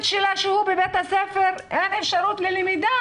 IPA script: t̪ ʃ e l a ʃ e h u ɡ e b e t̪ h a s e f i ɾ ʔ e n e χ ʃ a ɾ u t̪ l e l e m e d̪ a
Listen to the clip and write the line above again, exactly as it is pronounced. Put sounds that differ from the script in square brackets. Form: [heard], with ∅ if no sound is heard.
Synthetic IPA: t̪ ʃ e l a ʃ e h u [b] e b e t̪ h a s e f [e] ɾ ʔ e n e [f] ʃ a ɾ u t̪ l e l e m [i] d̪ a